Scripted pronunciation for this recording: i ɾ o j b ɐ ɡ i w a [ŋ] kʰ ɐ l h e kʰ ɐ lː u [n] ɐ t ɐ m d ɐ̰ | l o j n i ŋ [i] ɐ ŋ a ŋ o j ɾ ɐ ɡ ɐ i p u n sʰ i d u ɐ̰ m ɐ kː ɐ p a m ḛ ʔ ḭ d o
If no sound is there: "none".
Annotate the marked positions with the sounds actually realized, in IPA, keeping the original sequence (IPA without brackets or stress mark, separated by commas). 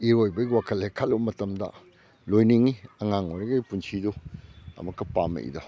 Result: none, m, i